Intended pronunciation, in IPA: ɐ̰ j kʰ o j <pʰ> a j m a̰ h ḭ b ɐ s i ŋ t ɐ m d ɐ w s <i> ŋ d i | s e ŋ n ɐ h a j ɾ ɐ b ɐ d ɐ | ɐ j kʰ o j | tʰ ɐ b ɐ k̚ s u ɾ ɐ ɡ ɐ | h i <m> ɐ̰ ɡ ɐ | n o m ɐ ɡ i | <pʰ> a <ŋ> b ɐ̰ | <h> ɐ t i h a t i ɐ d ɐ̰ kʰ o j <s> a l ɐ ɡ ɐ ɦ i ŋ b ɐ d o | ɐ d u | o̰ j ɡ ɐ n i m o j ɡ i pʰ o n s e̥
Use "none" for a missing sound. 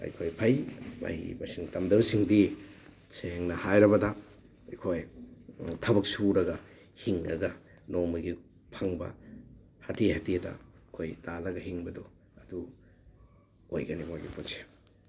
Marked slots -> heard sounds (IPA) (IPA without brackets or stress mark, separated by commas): pʰ, i, ŋ, pʰ, ŋ, h, t